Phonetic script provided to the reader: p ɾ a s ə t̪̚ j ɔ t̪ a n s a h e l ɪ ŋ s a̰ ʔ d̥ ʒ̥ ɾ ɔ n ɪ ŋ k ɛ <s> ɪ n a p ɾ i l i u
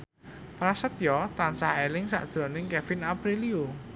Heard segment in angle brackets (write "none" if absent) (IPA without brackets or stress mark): f